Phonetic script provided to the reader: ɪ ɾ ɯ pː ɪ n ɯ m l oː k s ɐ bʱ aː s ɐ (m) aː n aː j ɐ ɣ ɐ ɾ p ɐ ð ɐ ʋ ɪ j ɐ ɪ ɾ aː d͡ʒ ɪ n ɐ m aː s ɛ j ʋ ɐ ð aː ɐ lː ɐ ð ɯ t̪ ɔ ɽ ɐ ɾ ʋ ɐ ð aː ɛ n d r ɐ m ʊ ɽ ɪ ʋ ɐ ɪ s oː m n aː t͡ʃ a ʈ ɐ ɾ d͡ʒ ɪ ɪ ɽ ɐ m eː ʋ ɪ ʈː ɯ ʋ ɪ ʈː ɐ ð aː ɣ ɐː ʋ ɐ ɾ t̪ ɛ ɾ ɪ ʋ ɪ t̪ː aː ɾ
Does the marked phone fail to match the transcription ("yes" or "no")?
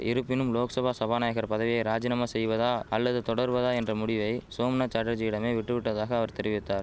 yes